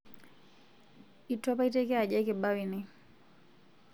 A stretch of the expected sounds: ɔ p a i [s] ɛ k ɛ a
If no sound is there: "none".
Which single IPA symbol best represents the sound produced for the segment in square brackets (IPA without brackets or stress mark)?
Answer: t